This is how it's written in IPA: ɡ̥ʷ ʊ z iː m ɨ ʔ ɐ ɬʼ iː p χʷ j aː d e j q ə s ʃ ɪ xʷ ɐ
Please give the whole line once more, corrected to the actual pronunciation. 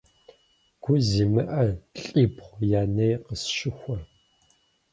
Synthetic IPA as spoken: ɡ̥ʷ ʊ z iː m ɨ ʔ ɐ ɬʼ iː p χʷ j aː n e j q ə s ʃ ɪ xʷ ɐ